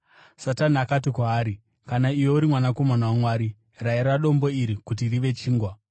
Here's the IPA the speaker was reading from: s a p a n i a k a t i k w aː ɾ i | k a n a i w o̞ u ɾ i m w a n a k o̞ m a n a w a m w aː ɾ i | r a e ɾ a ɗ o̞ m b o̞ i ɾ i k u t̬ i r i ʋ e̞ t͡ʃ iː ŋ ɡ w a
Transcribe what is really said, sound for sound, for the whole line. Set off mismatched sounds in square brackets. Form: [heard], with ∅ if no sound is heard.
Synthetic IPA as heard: s a [t] a n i a k a t i k w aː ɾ i | k a n a i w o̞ u ɾ i m w a n a k o̞ m a n a w a m w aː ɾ i | r a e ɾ a ɗ o̞ m b o̞ i ɾ i k u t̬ i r i ʋ e̞ t͡ʃ iː ŋ ɡ w a